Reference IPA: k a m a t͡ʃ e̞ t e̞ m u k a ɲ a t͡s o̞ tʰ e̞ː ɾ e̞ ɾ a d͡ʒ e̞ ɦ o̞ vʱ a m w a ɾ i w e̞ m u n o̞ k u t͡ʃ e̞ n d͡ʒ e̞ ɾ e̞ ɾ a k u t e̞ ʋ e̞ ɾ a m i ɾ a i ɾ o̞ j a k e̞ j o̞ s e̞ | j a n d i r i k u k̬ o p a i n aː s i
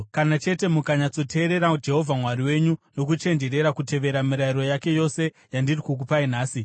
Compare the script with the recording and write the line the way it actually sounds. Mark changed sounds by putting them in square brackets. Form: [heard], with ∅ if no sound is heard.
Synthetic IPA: k a [n] a t͡ʃ e̞ t e̞ m u k a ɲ a t͡s o̞ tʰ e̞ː ɾ e̞ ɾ a d͡ʒ e̞ ɦ o̞ vʱ a m w a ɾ i w e̞ [ɲ] u n o̞ k u t͡ʃ e̞ n d͡ʒ e̞ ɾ e̞ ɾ a k u t e̞ ʋ e̞ ɾ a m i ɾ a i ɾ o̞ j a k e̞ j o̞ s e̞ | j a n d i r i k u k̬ [u] p a i n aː s i